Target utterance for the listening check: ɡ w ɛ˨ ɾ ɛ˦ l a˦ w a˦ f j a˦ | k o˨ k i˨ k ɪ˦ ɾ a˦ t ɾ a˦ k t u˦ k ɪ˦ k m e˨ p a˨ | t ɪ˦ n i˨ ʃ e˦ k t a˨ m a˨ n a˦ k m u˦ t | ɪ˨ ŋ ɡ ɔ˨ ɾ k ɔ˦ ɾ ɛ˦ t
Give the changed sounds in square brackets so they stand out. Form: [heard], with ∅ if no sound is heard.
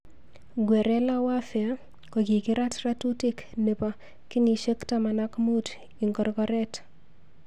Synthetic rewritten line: ɡ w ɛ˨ ɾ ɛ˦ l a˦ w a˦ f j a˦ | k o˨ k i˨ k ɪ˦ ɾ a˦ t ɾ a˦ [∅] t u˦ [t] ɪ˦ k [n] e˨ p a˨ | [k] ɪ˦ n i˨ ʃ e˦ k t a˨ m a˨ n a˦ k m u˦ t | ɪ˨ ŋ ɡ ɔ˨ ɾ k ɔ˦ ɾ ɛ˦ t